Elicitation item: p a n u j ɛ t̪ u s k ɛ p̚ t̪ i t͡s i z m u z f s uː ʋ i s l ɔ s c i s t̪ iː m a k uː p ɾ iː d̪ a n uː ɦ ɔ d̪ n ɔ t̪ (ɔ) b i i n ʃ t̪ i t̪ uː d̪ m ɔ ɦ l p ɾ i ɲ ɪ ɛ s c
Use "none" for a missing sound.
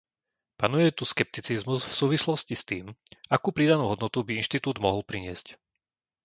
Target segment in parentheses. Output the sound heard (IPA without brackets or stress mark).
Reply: u